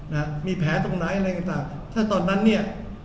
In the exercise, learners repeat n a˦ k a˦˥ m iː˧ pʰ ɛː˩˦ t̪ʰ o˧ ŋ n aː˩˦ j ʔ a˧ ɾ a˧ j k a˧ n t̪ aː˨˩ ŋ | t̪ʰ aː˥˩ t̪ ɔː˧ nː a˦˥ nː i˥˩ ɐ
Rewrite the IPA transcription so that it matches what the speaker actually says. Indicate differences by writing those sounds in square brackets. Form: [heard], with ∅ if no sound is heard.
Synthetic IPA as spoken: n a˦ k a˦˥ m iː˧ pʰ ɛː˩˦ [t̪] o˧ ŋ n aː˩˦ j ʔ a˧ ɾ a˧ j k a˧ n t̪ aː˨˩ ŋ | t̪ʰ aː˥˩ t̪ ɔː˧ nː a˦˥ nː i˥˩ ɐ